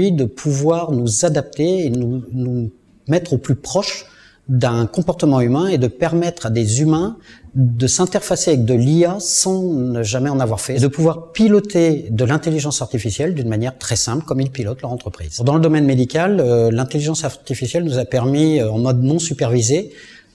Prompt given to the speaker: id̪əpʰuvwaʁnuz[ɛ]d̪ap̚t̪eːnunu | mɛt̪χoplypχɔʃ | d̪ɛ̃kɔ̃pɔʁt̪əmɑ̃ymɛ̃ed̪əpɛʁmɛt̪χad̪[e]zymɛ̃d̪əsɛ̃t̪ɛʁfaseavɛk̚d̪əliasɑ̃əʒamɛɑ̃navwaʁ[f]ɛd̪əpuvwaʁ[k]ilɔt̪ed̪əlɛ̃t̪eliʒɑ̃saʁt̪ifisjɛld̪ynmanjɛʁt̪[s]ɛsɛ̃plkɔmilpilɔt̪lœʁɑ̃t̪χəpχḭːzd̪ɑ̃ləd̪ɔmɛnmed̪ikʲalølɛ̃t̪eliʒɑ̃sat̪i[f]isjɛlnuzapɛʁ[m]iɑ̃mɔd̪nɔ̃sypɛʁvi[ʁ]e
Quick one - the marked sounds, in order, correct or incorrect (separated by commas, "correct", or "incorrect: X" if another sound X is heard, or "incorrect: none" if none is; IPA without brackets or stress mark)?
incorrect: a, correct, correct, incorrect: p, incorrect: χ, correct, correct, incorrect: z